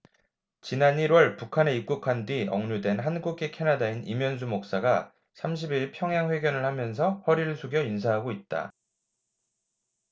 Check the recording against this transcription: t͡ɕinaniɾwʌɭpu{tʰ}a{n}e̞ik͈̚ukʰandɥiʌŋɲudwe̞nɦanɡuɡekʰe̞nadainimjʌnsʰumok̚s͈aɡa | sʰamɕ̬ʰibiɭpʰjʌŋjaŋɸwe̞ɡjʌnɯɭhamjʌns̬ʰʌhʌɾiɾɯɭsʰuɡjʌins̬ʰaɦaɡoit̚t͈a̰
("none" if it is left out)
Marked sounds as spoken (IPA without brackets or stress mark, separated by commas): kʰ, n